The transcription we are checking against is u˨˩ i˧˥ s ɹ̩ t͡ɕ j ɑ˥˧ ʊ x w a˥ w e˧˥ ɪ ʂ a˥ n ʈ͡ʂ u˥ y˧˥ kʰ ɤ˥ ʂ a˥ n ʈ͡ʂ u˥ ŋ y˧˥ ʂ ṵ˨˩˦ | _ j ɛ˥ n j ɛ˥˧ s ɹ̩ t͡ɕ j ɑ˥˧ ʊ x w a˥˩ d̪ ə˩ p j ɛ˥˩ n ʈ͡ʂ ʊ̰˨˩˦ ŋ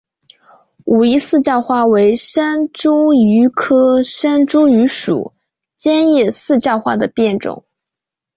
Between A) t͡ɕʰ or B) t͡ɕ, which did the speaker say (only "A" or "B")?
B